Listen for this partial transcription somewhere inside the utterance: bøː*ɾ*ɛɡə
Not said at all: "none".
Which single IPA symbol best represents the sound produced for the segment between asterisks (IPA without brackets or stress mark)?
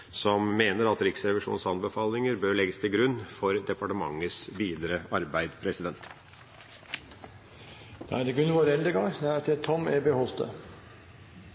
ɭ